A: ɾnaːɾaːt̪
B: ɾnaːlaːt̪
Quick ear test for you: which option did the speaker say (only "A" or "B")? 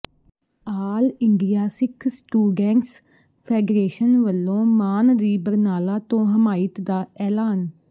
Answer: B